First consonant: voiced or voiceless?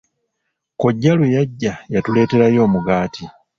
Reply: voiceless